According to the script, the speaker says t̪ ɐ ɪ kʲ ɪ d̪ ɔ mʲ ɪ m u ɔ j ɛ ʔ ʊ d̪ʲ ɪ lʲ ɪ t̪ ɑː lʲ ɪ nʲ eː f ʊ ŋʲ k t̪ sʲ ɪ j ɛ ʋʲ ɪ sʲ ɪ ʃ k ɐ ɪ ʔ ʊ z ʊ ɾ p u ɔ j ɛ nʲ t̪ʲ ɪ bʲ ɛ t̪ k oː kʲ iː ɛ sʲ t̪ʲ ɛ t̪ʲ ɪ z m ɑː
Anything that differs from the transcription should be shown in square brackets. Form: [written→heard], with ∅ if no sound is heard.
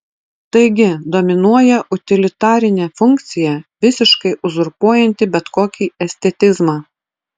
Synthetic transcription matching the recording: t̪ ɐ ɪ [kʲ→ɡʲ] ɪ d̪ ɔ mʲ ɪ [m→n] u ɔ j ɛ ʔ ʊ [d̪ʲ→t̪ʲ] ɪ lʲ ɪ t̪ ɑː [lʲ→ɾʲ] ɪ nʲ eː f ʊ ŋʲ k t̪ sʲ ɪ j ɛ ʋʲ ɪ sʲ ɪ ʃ k ɐ ɪ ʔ ʊ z ʊ ɾ p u ɔ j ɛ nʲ t̪ʲ ɪ bʲ ɛ t̪ k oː kʲ iː ɛ sʲ t̪ʲ ɛ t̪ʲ ɪ z m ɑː